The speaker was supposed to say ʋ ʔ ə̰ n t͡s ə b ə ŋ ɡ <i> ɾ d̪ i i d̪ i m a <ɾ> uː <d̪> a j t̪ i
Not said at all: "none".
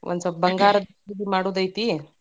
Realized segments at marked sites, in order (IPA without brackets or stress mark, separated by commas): a, ɽ, d̪